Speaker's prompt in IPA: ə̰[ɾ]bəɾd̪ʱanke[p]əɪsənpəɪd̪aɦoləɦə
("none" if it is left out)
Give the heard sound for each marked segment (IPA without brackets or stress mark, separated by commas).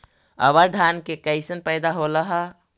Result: none, k